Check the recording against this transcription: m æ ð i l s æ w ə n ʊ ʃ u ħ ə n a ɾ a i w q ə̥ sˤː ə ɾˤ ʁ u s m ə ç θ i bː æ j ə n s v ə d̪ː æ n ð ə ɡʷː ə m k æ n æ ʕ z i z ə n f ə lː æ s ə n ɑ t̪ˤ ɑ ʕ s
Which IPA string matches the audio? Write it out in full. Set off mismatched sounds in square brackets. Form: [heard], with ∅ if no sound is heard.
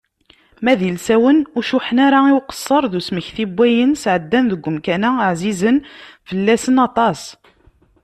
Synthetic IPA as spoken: m æ ð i l s æ w ə n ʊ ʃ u ħ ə n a ɾ a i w q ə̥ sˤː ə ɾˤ [ð] u s m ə ç θ i bː æ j ə n s [ʕ] ə d̪ː æ n ð ə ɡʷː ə m k æ n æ ʕ z i z ə n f ə lː æ s ə n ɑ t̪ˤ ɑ [∅] s